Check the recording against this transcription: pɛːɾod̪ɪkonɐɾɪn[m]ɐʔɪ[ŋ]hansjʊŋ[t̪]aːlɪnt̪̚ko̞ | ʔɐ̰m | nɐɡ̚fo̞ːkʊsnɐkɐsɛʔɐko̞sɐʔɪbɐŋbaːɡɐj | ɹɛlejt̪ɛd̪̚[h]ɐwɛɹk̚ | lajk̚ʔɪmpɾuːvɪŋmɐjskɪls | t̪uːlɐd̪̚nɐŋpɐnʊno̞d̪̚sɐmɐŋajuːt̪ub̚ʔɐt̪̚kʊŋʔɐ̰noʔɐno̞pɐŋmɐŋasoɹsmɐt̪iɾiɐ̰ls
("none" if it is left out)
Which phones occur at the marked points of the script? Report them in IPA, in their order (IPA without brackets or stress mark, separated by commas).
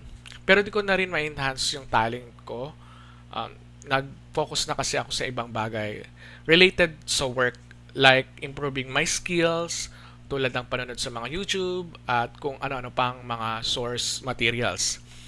m, n, t̪, s